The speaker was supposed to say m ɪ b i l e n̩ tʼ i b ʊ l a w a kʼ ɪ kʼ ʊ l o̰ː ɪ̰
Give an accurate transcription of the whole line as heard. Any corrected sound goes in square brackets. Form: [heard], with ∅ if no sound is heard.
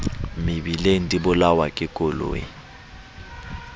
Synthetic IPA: m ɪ b i l e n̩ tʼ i b ʊ l a w a kʼ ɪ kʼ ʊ l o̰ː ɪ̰